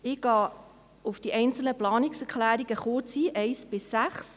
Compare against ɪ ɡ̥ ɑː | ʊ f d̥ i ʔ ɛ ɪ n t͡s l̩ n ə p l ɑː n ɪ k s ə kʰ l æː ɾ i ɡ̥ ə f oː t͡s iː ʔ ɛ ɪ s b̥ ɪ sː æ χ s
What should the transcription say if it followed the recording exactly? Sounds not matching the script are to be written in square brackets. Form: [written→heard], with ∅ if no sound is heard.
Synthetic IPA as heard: ɪ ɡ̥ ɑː | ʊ f d̥ i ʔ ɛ ɪ n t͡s l̩ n ə p l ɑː n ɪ k s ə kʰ l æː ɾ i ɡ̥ ə [f→χ] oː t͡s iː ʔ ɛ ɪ s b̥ ɪ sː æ χ s